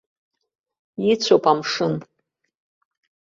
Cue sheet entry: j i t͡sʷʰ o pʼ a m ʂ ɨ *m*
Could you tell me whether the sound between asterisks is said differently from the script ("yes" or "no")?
yes